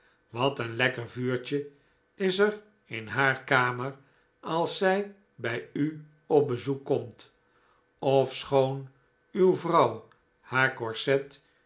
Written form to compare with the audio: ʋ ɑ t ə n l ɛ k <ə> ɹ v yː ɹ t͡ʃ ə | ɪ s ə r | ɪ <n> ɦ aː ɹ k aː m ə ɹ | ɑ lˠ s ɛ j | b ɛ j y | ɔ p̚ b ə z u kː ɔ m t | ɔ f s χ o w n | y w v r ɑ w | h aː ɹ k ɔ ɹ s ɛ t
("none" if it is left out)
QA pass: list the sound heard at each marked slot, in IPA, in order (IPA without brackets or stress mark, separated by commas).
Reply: ə, n